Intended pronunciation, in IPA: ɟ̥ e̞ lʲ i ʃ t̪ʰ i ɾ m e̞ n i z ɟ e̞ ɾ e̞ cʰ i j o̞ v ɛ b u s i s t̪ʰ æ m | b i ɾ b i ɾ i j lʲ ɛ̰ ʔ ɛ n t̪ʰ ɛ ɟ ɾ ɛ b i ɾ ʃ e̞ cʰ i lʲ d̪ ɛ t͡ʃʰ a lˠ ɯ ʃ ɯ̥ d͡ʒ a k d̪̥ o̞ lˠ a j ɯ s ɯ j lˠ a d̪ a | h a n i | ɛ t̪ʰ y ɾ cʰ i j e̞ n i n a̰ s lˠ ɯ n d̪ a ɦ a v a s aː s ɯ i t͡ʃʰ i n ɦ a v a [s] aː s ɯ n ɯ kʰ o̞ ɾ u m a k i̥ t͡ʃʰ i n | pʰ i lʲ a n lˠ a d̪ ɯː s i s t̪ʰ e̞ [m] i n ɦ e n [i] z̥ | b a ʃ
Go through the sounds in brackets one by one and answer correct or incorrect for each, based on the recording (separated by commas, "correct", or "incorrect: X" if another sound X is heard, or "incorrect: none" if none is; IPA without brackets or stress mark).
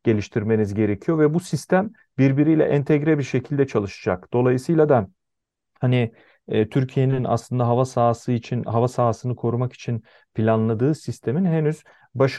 correct, correct, incorrect: y